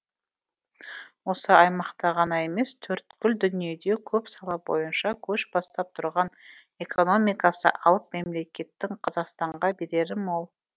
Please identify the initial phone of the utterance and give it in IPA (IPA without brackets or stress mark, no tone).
w